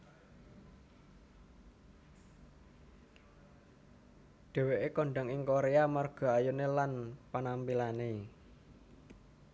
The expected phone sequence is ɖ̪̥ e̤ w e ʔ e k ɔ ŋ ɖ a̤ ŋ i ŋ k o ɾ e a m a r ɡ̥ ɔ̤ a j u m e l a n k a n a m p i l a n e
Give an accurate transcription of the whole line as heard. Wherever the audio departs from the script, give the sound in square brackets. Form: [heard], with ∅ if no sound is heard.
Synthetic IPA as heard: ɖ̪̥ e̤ w e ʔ e k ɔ [ɳ] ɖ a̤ ŋ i ŋ k o ɾ e a m a r ɡ̥ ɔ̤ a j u [n] e l a n [p] a n a m p i l a n e

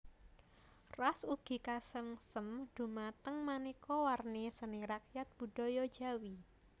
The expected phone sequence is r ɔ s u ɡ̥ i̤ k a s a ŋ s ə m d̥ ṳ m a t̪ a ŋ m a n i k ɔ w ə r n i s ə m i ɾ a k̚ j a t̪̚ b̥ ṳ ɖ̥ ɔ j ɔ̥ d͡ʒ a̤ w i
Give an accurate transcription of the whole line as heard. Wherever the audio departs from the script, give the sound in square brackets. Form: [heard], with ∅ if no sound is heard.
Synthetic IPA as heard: r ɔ s u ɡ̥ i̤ k a s [ə] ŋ s ə m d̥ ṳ m a t̪ [ə] ŋ m a n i k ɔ w [a] r n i s ə [n] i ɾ a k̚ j a t̪̚ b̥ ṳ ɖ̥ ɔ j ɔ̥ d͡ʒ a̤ w i

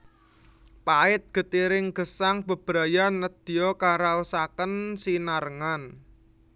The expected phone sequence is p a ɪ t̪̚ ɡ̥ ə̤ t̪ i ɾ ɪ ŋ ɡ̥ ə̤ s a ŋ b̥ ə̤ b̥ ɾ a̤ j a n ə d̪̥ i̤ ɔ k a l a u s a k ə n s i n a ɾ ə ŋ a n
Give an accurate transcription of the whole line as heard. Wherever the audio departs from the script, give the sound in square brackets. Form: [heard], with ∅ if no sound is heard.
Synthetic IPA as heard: p a ɪ t̪̚ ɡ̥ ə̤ t̪ i ɾ ɪ ŋ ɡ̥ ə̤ s a ŋ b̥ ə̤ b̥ ɾ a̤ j a n ə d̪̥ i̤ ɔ k a [ɾ] a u s a k ə n s i n a ɾ ə ŋ a n

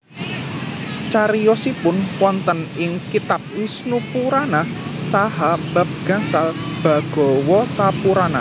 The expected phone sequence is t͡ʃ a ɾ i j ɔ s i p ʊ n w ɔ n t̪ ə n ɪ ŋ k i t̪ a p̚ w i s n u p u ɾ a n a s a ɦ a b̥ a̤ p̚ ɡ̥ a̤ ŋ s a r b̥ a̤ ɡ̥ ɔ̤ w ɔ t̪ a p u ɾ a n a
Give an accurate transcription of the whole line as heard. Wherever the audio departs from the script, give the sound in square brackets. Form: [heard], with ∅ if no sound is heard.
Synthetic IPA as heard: t͡ʃ a ɾ i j ɔ s i p ʊ n w ɔ n t̪ ə n ɪ ŋ k i t̪ a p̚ w i s n u p u ɾ a n a s a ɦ a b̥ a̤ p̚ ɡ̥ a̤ ŋ s a [l] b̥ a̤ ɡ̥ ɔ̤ w ɔ t̪ a p u ɾ a n a

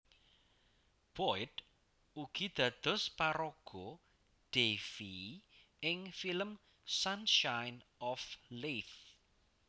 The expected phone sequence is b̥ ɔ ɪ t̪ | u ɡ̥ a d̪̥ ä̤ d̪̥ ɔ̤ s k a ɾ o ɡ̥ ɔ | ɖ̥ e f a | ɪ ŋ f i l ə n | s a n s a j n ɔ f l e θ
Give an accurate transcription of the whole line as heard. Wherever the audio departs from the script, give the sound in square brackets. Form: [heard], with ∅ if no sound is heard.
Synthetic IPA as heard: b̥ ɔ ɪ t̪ | u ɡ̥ [i] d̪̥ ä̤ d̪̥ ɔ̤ s [p] a ɾ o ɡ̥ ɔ | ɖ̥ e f [i] | ɪ ŋ f i l ə [m] | s a n [ʃ] a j n ɔ f l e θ

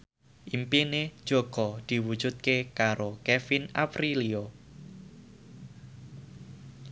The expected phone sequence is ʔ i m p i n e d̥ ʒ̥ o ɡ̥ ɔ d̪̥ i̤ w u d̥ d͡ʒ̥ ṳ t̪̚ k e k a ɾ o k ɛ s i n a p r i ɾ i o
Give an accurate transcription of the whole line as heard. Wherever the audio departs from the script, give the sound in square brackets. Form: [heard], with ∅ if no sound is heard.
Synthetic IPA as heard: ʔ i m p i n e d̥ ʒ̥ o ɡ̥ ɔ d̪̥ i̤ w u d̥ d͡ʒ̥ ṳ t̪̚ k e k a ɾ o k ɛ [f] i n a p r i [l] i o

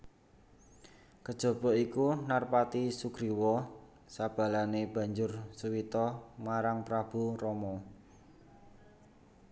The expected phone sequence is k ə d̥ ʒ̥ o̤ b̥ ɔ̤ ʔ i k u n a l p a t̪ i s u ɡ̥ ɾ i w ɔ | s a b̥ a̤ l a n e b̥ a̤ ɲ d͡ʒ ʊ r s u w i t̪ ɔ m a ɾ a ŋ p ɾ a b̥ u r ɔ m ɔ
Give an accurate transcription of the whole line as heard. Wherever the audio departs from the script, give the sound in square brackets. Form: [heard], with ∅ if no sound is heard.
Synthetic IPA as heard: k ə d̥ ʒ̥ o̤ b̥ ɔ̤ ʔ i k u n a [r] p a t̪ i s u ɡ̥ ɾ i w ɔ | s a b̥ a̤ l a n e b̥ a̤ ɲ d͡ʒ ʊ r s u w i t̪ ɔ m a ɾ a ŋ p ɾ a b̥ u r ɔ m ɔ

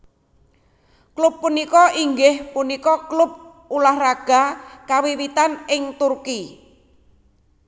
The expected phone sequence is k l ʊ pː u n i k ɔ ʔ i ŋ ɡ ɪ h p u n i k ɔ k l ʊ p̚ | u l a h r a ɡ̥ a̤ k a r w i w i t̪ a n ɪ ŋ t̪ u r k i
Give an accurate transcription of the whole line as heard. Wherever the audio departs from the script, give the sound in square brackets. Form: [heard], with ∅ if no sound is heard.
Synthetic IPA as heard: k l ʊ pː u n i k ɔ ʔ i ŋ ɡ ɪ h p u n i k ɔ k l ʊ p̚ | u l a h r a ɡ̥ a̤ k a [∅] w i w i t̪ a n ɪ ŋ t̪ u r k i

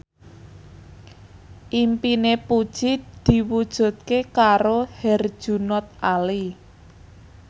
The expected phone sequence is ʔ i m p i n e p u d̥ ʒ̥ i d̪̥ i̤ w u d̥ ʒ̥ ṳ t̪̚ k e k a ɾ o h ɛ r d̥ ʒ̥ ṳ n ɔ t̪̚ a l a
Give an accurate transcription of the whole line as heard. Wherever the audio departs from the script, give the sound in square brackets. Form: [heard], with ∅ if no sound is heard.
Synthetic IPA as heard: ʔ i m p i n e p u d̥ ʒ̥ i d̪̥ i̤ w u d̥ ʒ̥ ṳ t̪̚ k e k a ɾ o h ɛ r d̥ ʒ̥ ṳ n ɔ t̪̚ a l [i]

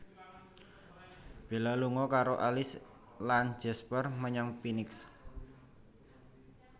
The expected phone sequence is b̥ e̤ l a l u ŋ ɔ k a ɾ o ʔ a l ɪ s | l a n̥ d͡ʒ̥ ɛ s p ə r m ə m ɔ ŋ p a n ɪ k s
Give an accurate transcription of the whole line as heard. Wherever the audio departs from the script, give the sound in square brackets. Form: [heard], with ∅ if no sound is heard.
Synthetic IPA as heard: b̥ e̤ l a l u ŋ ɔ k a ɾ o ʔ a l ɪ s | l a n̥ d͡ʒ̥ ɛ s p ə r m ə [ɲ] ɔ ŋ p [i] n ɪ k s

